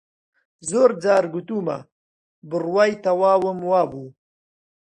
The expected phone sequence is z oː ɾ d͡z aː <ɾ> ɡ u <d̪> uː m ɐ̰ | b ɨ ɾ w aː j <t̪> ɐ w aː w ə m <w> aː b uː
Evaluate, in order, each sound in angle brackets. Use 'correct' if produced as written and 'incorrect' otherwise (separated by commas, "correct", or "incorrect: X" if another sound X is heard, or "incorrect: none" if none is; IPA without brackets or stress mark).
correct, incorrect: t̪, correct, correct